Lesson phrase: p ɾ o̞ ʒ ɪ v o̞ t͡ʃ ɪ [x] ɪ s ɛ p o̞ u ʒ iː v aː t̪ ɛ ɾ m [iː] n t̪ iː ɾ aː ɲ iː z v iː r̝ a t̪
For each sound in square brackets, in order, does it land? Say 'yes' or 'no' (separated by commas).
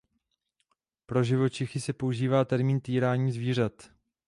yes, yes